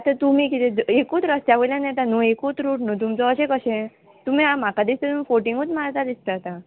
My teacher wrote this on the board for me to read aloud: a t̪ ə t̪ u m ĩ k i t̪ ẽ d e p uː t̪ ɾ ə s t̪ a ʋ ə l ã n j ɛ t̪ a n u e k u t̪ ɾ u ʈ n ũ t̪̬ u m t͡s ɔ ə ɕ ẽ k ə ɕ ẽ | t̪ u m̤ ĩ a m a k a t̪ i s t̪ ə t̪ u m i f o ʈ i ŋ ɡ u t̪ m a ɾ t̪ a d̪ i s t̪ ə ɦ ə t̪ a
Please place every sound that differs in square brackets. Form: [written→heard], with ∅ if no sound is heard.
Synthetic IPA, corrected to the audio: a t̪ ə t̪ u m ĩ k i t̪ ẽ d e [p→k] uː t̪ ɾ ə s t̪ a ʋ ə l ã n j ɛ t̪ a n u e k u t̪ ɾ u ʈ n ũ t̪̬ u m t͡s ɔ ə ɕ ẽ k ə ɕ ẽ | t̪ u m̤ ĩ a m a k a [t̪→d̪] i s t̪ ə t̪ u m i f o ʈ i ŋ ɡ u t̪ m a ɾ t̪ a d̪ i s t̪ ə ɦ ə t̪ a

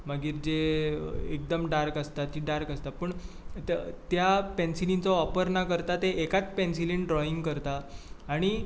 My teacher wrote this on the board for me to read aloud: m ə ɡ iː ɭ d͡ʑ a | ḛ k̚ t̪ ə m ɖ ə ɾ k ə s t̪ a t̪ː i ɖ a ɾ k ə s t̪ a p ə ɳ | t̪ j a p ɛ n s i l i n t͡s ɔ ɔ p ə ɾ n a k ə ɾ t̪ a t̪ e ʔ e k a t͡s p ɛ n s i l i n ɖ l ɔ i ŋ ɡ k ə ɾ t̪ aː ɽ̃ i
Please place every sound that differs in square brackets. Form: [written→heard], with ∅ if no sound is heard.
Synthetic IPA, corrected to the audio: m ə ɡ iː [ɭ→ɾ] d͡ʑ [a→e] | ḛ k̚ [t̪→d̪] ə m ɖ [ə→a] ɾ k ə s t̪ a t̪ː i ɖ a ɾ k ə s t̪ a p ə ɳ | t̪ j a p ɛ n s i l i n t͡s ɔ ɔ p ə ɾ n a k ə ɾ t̪ a t̪ e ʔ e k a t͡s p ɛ n s i l i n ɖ [l→ɾ] ɔ i ŋ ɡ k ə ɾ t̪ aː ɽ̃ i

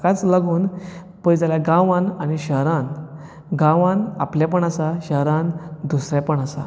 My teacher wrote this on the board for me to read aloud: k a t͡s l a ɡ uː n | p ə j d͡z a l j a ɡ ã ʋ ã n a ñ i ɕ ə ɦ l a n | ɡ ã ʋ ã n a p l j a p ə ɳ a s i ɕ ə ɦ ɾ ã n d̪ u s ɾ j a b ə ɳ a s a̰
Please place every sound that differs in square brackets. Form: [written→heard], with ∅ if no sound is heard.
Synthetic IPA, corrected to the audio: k a t͡s l a ɡ uː n | p ə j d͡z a l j a ɡ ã ʋ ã n a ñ i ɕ ə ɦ [l→ɾ] a n | ɡ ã ʋ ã n a p l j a p ə ɳ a s [i→a] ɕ ə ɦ ɾ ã n d̪ u s ɾ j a [b→p] ə ɳ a s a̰

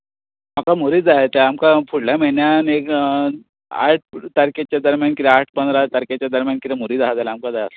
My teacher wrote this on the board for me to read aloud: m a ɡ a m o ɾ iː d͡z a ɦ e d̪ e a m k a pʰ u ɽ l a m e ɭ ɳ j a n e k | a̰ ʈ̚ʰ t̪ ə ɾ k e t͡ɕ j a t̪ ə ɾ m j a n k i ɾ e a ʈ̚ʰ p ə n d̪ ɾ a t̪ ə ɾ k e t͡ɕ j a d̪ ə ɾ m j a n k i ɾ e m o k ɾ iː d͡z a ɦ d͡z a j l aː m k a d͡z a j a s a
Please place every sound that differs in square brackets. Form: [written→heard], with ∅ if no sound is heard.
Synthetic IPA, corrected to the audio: m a [ɡ→k] a m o ɾ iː d͡z a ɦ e [d̪→t̪] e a m k a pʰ u ɽ l a m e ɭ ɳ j a n e k | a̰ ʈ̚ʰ t̪ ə ɾ k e t͡ɕ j a [t̪→d̪] ə ɾ m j a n k i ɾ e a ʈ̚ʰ p ə n d̪ ɾ a t̪ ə ɾ k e t͡ɕ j a d̪ ə ɾ m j a n k i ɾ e m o [k→∅] ɾ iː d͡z a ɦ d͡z a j l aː m k a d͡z a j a s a

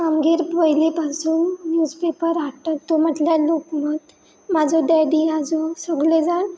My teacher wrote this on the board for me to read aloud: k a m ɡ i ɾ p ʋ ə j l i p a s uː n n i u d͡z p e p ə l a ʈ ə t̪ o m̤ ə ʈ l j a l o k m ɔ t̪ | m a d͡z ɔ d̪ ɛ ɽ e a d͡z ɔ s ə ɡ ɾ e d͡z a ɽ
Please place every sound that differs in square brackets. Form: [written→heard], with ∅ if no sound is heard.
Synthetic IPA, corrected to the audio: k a m ɡ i ɾ p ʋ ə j l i p a s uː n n [i→j] u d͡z p e p ə [l→ɾ] a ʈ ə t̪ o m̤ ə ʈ l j a l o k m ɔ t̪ | m a d͡z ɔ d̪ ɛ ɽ [e→i] a d͡z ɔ s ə ɡ [ɾ→l] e d͡z a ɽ

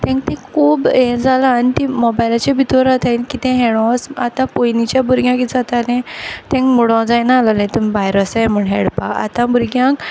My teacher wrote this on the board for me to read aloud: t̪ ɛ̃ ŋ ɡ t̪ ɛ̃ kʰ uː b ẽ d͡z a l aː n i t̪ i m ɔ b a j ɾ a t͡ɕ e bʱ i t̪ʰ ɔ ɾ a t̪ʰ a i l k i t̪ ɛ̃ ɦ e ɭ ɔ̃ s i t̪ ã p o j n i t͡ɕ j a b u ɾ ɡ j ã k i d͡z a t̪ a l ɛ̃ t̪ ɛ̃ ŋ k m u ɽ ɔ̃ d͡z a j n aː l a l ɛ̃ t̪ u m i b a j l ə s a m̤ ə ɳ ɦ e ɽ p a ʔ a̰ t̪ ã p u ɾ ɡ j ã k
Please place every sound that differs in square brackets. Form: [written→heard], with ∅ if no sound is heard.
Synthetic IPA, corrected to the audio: t̪ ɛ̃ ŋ [ɡ→k] t̪ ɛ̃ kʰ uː b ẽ d͡z a l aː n i t̪ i m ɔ b a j [ɾ→l] a t͡ɕ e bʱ i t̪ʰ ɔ ɾ a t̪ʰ a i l k i t̪ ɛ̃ ɦ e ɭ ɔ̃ s [i→a] t̪ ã p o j n i t͡ɕ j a b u ɾ ɡ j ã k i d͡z a t̪ a l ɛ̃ t̪ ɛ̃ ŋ k m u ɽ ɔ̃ d͡z a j n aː l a l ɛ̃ t̪ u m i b a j [l→ɾ] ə s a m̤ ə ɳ ɦ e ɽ p a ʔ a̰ t̪ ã [p→b] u ɾ ɡ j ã k

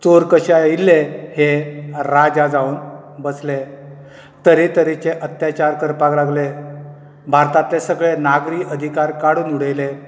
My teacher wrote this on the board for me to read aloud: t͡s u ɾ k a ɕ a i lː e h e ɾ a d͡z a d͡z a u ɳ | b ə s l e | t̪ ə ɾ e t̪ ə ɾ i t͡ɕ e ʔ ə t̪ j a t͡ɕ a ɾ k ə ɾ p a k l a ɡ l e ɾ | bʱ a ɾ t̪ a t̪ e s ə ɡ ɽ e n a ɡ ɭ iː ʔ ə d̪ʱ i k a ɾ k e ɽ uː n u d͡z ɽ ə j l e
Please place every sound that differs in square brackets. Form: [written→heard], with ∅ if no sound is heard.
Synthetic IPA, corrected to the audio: t͡s [u→o] ɾ k [a→ə] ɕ a i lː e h e ɾ a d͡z a d͡z a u [ɳ→n] | b ə s l e | t̪ ə ɾ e t̪ ə ɾ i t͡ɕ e ʔ ə t̪ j a t͡ɕ a ɾ k ə ɾ p a k l a ɡ l e [ɾ→∅] | bʱ a ɾ t̪ a t̪ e s ə ɡ [ɽ→ɭ] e n a ɡ [ɭ→ɾ] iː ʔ ə d̪ʱ i k a ɾ k [e→a] ɽ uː n u [d͡z→∅] ɽ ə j l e

